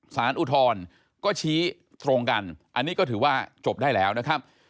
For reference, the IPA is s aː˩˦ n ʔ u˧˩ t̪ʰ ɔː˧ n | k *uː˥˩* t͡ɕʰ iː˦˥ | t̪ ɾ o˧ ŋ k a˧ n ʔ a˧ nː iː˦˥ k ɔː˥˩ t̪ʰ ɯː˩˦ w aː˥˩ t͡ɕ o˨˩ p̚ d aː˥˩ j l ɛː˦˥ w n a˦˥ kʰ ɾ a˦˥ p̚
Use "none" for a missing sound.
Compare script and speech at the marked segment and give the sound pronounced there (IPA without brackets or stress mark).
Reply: ɔː˥˩